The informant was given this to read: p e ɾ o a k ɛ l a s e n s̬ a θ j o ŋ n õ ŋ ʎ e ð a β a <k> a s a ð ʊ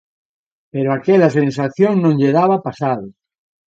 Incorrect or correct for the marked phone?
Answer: incorrect: p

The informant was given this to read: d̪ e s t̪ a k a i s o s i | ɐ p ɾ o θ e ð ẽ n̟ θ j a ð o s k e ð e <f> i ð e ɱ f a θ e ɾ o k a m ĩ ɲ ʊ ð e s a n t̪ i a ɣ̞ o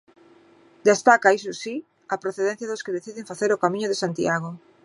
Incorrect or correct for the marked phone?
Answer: incorrect: θ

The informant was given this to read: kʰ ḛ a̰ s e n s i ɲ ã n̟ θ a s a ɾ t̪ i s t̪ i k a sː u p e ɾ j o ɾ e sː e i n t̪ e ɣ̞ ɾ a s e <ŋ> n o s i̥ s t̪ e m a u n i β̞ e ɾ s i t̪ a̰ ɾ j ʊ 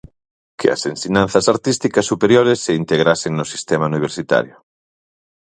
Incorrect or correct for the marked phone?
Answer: correct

